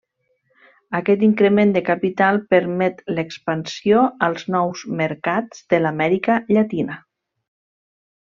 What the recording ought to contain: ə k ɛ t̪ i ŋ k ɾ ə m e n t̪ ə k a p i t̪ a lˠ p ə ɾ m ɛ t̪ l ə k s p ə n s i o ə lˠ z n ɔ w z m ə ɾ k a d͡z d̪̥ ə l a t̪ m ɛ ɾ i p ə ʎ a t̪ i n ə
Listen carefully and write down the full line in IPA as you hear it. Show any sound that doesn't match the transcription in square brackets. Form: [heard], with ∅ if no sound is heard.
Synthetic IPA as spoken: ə k ɛ t̪ i ŋ k ɾ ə m e n [d̪] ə k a p i t̪ a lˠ p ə ɾ m ɛ t̪ l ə k s p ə n s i o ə lˠ z n ɔ w z m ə ɾ k a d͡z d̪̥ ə l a [∅] m ɛ ɾ i [k] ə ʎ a t̪ i n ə